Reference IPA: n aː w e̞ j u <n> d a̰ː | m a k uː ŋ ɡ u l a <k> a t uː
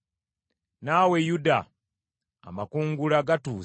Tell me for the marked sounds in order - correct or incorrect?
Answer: incorrect, incorrect

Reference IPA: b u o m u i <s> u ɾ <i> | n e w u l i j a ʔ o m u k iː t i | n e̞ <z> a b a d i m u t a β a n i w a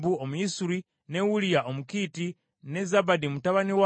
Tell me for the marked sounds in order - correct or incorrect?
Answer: correct, correct, correct

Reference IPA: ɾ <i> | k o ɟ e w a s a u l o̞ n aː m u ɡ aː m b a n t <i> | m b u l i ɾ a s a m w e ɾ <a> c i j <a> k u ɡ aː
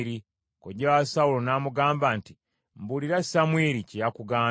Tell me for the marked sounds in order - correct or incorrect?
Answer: correct, correct, incorrect, correct

